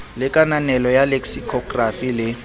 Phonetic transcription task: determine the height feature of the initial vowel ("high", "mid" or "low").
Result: high